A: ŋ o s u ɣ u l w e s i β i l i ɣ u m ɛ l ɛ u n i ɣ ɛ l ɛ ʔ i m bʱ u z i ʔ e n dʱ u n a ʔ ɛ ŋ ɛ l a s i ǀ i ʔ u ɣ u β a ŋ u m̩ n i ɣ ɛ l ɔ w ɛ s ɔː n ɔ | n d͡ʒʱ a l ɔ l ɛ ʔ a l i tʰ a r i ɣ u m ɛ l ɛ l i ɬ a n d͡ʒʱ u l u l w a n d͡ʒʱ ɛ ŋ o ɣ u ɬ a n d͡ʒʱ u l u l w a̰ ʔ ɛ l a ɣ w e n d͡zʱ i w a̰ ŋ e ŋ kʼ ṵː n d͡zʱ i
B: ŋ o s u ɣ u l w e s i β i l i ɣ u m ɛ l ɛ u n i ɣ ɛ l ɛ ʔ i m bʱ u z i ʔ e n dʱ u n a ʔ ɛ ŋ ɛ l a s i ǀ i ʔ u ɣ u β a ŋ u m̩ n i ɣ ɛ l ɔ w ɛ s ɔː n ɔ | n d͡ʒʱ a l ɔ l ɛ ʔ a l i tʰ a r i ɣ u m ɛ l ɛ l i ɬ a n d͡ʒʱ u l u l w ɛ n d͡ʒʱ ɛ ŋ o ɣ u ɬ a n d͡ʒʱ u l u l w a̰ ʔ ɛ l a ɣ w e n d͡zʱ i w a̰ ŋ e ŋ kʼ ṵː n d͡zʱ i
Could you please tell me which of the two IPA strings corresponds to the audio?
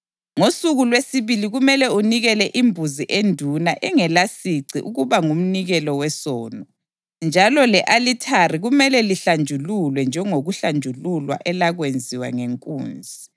B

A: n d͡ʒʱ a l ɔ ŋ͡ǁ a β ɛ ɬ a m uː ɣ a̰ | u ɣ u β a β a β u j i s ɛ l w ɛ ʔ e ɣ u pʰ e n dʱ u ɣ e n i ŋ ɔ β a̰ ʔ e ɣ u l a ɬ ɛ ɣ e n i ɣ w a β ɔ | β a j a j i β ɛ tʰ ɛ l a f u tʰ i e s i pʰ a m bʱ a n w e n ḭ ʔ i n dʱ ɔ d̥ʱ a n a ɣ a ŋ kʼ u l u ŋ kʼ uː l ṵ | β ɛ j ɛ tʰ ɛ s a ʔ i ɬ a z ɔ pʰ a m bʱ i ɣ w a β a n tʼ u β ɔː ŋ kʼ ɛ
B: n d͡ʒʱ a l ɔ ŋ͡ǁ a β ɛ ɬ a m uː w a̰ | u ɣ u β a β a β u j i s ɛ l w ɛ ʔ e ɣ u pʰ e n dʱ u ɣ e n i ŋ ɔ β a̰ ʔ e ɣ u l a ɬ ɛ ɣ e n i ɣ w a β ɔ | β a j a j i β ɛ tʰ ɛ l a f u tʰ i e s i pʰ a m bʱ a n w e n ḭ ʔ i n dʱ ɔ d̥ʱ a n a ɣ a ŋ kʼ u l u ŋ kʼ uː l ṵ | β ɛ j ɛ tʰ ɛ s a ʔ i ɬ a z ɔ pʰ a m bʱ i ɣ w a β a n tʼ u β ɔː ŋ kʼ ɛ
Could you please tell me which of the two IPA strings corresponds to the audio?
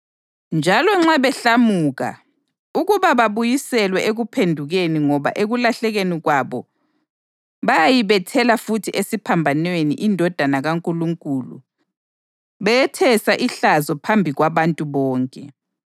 A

